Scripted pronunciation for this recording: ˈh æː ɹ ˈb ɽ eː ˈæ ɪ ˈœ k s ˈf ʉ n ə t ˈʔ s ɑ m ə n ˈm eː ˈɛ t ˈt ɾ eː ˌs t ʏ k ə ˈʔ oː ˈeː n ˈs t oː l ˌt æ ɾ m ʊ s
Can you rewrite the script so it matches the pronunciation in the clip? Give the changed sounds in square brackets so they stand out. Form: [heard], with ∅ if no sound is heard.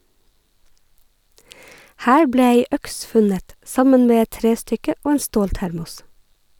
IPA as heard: ˈh æː ɹ ˈb ɽ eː [ˈe] ɪ ˈœ k s ˈf ʉ n ə t ˈʔ s ɑ m ə n ˈm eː ˈɛ t ˈt ɾ eː ˌs t ʏ k ə ˈʔ oː ˈeː n ˈs t oː l ˌt æ ɾ m ʊ s